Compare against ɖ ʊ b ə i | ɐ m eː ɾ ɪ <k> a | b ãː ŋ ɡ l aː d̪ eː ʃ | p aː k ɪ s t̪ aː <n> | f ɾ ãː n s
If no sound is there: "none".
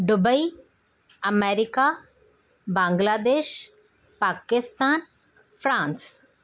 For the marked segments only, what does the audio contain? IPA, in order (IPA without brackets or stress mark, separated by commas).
k, n